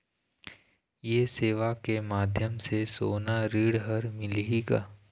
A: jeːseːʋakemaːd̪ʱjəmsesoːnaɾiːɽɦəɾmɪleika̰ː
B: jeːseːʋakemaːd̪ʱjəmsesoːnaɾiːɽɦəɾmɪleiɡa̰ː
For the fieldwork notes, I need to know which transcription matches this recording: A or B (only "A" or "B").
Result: B